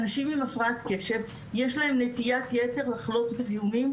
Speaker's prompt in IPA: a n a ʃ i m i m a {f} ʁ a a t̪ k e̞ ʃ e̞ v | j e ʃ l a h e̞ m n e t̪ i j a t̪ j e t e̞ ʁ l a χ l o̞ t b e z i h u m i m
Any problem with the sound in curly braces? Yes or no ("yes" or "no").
no